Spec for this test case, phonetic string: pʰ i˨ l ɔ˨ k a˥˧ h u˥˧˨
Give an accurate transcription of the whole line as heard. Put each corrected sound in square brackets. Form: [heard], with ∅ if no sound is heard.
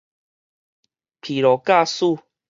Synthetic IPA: pʰ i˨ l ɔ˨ k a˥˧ [s] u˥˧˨

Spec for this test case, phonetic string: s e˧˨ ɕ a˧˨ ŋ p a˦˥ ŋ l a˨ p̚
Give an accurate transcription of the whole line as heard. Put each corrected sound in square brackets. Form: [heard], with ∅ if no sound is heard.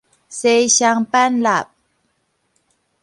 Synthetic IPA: s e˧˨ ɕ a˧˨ ŋ p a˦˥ [n] l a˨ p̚

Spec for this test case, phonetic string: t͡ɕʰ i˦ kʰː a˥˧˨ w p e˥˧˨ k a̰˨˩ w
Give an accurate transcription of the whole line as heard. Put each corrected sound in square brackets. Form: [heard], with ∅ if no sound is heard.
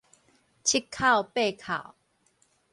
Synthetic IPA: t͡ɕʰ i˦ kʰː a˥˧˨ w p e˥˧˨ [kʰ] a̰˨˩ w

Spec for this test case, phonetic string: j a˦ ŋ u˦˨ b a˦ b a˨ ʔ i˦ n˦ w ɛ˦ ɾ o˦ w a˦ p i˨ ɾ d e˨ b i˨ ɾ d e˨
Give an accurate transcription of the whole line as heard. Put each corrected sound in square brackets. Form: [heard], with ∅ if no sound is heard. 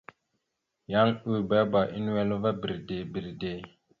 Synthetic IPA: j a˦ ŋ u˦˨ b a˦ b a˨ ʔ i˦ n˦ w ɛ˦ [l] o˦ [v] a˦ [b] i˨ ɾ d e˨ b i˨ ɾ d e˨

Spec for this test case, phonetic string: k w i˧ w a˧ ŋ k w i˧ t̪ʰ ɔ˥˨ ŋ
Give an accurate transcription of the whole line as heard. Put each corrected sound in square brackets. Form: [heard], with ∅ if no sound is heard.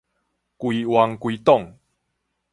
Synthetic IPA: k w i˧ w a˧ ŋ k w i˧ [t̪] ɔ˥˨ ŋ

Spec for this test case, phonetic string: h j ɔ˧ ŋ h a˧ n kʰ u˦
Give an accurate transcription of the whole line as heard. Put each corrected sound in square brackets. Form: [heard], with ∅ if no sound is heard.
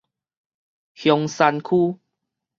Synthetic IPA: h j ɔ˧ ŋ [s] a˧ n kʰ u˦

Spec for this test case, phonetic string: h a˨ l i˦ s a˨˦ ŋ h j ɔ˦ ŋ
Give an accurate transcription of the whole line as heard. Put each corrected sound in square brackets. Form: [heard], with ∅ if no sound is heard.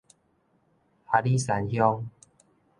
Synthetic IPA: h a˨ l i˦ s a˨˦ [n] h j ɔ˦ ŋ

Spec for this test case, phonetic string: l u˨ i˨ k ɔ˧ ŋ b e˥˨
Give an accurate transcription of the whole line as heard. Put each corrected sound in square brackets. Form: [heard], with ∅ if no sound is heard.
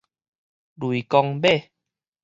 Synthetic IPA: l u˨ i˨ k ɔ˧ ŋ b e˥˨

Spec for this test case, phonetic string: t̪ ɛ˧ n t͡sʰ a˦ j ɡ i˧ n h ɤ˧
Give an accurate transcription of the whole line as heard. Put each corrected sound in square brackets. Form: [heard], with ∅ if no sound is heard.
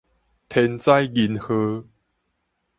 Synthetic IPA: [t̪ʰ] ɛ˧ n [t͡s] a˦ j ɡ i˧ n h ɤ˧

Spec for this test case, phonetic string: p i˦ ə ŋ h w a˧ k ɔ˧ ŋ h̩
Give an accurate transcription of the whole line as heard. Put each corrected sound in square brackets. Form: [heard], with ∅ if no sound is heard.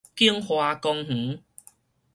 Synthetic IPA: [k] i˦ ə ŋ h w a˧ k ɔ˧ ŋ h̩

